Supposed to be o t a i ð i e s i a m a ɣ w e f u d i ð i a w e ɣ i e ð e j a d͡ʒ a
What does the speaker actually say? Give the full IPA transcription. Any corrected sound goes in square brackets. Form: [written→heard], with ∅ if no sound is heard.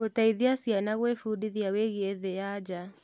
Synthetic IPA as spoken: o t a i ð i [e→a] s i a [m→n] a ɣ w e f u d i ð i a w e ɣ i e ð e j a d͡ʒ a